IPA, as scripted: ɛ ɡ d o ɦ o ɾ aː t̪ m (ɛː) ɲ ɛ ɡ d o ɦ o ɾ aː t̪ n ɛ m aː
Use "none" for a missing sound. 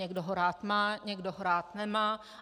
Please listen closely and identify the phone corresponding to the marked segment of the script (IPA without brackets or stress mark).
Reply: aː